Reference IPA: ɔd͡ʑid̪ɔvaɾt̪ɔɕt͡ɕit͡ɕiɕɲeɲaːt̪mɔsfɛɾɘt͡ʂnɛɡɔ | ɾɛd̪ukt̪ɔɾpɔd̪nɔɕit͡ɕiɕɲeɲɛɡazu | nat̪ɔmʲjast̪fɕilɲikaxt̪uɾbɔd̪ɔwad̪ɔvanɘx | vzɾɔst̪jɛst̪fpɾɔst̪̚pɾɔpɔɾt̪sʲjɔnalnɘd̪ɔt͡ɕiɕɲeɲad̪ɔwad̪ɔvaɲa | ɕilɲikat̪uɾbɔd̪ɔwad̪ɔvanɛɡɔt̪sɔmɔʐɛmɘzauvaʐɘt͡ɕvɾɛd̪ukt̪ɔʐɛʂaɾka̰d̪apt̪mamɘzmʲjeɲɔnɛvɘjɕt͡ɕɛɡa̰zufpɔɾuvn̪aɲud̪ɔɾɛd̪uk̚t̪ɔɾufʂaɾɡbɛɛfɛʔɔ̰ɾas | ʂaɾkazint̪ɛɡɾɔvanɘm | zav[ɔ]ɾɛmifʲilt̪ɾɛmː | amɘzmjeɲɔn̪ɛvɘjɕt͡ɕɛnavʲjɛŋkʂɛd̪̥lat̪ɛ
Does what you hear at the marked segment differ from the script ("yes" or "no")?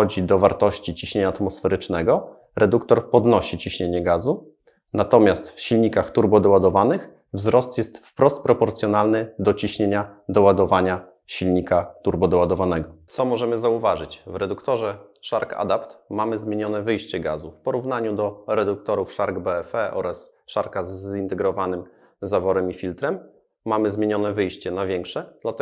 no